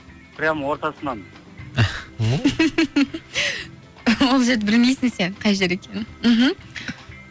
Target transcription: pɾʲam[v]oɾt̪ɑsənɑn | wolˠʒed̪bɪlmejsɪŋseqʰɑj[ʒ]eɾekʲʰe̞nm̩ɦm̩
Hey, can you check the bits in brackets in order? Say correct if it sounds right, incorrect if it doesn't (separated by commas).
incorrect, correct